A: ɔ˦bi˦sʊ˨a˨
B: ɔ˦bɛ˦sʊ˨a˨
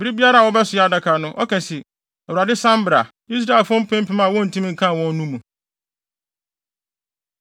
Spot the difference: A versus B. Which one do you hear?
B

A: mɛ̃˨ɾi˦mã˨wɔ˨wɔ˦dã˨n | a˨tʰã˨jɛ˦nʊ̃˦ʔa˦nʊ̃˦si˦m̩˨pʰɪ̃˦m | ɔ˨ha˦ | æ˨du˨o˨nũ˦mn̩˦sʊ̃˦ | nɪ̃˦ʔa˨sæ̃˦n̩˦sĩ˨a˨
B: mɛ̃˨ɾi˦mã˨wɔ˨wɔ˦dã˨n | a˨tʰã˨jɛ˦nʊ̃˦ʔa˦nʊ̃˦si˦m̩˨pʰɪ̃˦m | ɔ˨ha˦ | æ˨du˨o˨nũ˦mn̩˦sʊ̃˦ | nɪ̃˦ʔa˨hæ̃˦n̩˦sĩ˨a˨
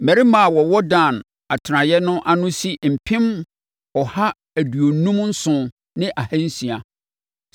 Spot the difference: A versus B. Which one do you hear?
B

